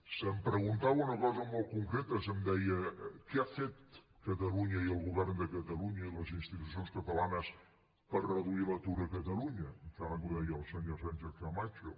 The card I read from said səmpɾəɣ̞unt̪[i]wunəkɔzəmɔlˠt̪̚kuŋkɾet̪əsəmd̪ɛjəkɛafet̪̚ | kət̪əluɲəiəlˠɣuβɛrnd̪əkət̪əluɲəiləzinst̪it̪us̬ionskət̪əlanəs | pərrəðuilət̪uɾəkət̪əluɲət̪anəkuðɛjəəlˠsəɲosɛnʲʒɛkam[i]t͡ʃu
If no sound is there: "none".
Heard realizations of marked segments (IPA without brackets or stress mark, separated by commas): a, a